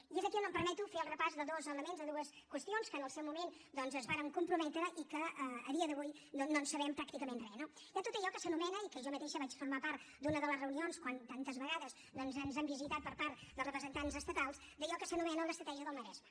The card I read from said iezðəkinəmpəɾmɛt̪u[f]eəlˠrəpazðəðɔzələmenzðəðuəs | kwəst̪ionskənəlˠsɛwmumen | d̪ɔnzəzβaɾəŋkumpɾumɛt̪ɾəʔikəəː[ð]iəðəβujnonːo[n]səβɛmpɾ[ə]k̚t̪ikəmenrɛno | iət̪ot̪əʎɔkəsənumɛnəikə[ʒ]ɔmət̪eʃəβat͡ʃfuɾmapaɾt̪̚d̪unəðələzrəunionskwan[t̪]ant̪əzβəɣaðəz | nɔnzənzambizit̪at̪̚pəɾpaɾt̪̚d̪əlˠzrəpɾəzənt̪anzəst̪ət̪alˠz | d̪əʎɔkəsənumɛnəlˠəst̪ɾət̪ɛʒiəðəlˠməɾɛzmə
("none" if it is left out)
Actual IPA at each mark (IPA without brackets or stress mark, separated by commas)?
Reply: f, ð, n, a, ʒ, t̪